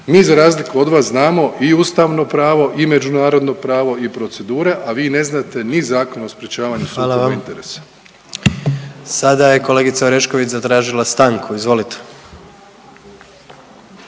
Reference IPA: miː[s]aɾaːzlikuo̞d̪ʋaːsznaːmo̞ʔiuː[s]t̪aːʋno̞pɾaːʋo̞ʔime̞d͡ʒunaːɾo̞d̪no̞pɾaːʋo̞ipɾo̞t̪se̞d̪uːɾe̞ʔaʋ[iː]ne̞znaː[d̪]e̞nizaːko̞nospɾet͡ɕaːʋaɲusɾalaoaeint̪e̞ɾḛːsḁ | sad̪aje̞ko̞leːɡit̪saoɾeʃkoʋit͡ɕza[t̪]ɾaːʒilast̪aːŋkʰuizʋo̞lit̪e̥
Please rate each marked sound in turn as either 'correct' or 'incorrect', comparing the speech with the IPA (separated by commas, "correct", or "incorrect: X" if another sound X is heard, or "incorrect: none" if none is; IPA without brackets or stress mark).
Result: incorrect: z, correct, correct, incorrect: t̪, correct